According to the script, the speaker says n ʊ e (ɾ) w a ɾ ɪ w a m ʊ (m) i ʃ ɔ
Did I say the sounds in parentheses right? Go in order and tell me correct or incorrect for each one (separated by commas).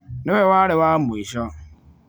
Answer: incorrect, incorrect